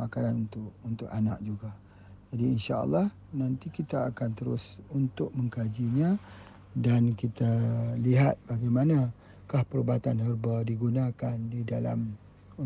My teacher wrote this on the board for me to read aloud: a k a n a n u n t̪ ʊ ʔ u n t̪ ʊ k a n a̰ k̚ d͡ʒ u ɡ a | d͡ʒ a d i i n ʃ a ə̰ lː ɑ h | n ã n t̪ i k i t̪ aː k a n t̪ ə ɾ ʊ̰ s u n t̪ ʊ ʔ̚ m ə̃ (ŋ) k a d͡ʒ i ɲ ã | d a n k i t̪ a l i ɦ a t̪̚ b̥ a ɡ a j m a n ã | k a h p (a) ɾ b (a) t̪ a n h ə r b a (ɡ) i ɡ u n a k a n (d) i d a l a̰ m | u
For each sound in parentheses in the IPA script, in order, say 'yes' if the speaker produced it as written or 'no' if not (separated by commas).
yes, no, yes, no, yes